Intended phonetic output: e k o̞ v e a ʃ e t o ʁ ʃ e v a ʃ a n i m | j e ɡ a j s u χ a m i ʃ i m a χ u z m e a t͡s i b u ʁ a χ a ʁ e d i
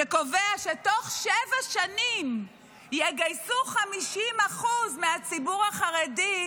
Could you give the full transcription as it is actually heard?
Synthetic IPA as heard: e k o̞ v e a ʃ e t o χ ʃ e v a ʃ a n i m | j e ɡ a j s u χ a m i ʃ i m a χ u z m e a t͡s i b u ʁ a χ a ʁ e d i